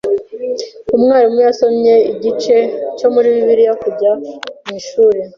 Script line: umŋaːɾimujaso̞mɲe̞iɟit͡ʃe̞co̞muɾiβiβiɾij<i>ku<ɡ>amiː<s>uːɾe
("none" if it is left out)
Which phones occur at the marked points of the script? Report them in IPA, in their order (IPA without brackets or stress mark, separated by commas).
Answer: a, ɟ, ʃ